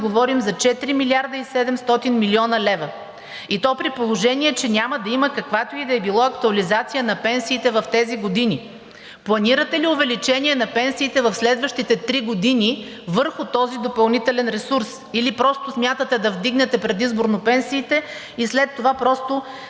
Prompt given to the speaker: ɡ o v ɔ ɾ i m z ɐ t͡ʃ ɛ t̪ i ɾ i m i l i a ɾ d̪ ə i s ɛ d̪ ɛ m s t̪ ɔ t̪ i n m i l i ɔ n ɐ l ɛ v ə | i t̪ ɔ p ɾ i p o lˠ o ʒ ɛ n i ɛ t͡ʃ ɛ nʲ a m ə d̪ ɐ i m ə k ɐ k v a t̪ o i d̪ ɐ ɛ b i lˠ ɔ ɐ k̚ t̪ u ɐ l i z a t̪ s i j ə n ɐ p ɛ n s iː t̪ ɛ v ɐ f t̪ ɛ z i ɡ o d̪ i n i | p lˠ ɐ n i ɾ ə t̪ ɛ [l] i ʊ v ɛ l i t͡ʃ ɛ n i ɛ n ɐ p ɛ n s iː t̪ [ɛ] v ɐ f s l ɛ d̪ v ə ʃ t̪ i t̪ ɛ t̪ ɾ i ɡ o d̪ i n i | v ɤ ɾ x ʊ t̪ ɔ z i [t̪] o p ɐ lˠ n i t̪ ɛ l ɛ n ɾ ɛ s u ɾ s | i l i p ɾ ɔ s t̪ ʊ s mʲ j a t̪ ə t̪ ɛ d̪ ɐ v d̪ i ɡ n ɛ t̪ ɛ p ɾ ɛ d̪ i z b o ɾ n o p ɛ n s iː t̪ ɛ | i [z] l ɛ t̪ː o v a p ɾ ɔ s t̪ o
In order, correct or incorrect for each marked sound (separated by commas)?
correct, correct, incorrect, incorrect